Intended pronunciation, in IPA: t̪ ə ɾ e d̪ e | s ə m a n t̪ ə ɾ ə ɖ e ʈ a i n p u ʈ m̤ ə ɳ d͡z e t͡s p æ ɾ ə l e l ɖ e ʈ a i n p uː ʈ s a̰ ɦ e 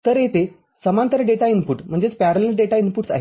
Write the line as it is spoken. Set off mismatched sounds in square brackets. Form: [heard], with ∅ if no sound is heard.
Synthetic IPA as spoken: t̪ ə ɾ e [t̪] e | s ə m a n t̪ ə ɾ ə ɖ e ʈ a i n p u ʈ m̤ ə ɳ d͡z e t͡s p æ ɾ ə l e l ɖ e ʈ a i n p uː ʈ s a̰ ɦ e